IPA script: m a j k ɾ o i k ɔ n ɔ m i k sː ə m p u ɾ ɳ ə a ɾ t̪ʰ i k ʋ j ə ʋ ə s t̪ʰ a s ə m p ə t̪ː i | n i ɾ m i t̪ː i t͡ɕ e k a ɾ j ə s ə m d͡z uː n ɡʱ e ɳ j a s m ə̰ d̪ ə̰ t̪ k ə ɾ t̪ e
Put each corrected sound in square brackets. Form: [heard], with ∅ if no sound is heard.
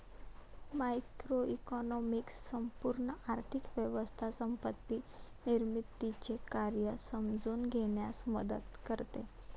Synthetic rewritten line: m a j k ɾ o i k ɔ n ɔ m i k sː ə m p u ɾ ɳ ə a ɾ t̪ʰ i k ʋ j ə ʋ ə s t̪ʰ a s ə m p ə t̪ː i | n i ɾ m i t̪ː i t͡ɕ e k a ɾ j ə s ə m d͡z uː n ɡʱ e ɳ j a s m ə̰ d̪ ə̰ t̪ k ə ɾ t̪ e

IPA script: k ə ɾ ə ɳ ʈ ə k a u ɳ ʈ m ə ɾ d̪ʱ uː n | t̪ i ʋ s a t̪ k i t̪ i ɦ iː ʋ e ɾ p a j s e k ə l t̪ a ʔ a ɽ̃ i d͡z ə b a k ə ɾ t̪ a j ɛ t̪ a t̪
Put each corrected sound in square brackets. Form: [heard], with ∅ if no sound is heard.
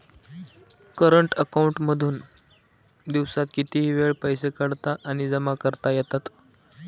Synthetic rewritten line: k ə ɾ ə ɳ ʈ ə k a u ɳ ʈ m ə [∅] d̪ʱ uː n | [d̪] i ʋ s a t̪ k i t̪ i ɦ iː ʋ e [ɭ] p [ə] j s e k ə [ɽ] t̪ a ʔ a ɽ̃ i d͡z ə [m] a k ə ɾ t̪ a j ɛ t̪ a t̪

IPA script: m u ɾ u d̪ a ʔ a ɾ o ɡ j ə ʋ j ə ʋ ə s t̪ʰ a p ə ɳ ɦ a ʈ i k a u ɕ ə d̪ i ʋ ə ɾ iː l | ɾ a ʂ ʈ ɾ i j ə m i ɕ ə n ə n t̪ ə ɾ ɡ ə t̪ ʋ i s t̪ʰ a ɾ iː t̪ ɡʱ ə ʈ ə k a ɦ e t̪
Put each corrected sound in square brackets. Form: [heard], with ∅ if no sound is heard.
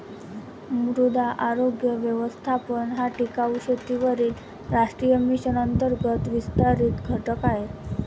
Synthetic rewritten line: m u ɾ u d̪ a ʔ a ɾ o ɡ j ə ʋ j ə ʋ ə s t̪ʰ a p ə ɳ ɦ a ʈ i k a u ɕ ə [t̪] i ʋ ə ɾ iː l | ɾ a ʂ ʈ ɾ i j ə m i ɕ ə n ə n t̪ ə ɾ ɡ ə t̪ ʋ i s [t̪] a ɾ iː t̪ ɡʱ ə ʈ ə k a ɦ e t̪

